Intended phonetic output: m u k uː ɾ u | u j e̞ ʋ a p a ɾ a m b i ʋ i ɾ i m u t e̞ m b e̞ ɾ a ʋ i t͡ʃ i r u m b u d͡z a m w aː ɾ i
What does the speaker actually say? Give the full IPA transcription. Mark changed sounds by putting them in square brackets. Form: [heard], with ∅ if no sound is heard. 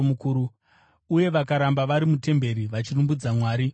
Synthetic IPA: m u k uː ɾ u | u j e̞ ʋ a [k] a ɾ a m b [a] ʋ [a] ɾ i m u t e̞ m b e̞ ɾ [i] ʋ [a] t͡ʃ i r u m b u d͡z a m w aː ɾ i